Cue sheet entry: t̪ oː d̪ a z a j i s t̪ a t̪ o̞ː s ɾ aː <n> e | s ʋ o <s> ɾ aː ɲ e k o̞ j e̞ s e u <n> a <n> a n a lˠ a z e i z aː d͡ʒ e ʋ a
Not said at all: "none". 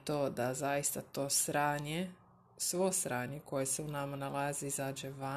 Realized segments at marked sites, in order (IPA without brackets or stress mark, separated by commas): ɲ, s, n, m